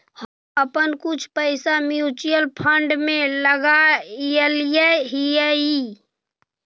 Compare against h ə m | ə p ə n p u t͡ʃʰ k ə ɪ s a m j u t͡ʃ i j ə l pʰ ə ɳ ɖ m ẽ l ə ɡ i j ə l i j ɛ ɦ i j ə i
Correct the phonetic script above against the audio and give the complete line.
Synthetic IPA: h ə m | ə p ə n k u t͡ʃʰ p ə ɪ s a m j u t͡ʃ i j ə l pʰ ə ɳ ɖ m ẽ l ə ɡ a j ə l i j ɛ ɦ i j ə i